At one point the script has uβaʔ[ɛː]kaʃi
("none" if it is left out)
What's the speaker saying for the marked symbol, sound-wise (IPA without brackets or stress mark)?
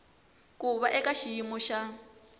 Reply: ɛ